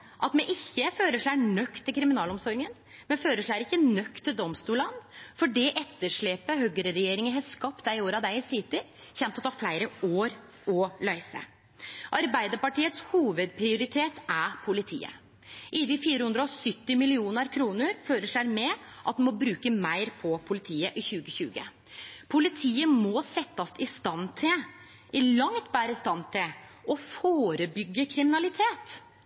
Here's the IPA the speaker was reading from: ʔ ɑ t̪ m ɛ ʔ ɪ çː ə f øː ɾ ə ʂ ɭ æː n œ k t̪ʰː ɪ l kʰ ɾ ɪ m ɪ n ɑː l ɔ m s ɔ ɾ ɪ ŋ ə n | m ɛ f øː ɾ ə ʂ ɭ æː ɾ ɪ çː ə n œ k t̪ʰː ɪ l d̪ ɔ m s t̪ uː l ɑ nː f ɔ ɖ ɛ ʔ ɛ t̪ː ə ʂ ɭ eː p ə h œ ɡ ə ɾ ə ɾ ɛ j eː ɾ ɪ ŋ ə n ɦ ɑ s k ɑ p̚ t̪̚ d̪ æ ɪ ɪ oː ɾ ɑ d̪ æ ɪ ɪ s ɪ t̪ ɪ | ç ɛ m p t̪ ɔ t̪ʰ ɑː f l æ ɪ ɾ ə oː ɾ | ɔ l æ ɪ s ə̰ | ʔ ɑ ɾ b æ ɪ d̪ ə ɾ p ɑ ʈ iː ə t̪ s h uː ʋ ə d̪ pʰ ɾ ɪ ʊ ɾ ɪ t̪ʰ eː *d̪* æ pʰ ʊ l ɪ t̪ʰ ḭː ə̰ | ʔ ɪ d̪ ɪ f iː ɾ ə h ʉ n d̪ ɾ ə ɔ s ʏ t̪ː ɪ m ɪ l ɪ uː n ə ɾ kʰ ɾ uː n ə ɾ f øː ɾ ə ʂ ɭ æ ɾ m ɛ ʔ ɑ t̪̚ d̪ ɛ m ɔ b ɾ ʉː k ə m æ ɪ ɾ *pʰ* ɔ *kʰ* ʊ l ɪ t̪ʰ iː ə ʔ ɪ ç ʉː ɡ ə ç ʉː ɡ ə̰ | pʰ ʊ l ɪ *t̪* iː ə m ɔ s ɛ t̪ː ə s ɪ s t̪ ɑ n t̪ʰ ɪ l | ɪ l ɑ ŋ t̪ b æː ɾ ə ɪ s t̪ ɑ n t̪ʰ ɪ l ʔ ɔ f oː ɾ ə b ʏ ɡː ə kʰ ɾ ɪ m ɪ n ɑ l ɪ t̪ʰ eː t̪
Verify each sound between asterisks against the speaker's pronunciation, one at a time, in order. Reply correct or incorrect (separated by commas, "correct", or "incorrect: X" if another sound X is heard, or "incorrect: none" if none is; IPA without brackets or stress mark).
incorrect: t̪, correct, incorrect: pʰ, incorrect: t̪ʰ